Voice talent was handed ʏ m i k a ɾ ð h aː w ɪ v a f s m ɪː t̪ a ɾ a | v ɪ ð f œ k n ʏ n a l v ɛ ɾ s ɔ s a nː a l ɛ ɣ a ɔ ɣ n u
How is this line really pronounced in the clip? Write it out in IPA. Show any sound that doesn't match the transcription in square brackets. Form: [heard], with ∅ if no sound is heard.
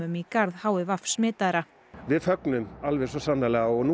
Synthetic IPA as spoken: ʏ m i k a ɾ ð h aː w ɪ v a f s m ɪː t̪ a ɾ a | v ɪ ð f œ k n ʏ [m] a l v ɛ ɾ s ɔ s a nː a l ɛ ɣ a ɔ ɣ n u